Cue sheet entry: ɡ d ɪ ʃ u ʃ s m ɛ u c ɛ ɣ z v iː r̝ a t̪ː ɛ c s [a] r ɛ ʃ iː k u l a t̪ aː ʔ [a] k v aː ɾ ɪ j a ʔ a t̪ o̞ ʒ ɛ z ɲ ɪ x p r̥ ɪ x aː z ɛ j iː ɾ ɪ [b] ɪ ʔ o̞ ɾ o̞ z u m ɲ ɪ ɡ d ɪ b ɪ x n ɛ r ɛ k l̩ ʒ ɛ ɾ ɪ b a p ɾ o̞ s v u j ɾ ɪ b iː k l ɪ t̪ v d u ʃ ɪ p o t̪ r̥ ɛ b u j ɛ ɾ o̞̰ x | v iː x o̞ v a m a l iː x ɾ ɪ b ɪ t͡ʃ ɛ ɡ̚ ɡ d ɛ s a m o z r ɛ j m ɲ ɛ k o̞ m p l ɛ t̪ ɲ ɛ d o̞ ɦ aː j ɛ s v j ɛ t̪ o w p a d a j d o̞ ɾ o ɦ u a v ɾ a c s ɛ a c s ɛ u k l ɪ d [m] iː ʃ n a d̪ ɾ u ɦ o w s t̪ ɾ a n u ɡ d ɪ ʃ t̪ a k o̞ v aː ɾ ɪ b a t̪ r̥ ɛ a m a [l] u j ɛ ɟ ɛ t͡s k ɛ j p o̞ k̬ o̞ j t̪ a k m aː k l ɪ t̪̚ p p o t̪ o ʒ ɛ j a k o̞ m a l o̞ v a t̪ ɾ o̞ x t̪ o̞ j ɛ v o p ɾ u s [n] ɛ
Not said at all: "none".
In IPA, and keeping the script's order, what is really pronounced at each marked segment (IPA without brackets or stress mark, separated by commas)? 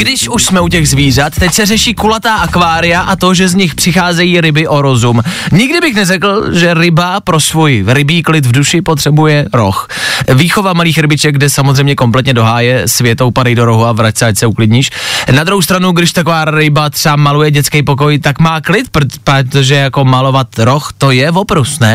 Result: ɛ, a, b, ɲ, l, n